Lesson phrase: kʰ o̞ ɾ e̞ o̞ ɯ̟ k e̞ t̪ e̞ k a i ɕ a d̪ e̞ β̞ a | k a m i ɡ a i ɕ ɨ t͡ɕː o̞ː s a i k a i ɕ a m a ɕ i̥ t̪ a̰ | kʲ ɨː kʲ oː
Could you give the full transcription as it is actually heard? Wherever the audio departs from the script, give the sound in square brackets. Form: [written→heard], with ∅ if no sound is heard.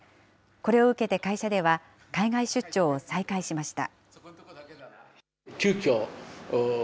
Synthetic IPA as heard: [kʰ→k] o̞ ɾ e̞ o̞ ɯ̟ k e̞ t̪ e̞ k a i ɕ a d̪ e̞ β̞ a | k a [m→∅] i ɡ a i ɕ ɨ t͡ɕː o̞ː s a i k a i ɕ [a→i] m a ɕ i̥ t̪ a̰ | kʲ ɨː kʲ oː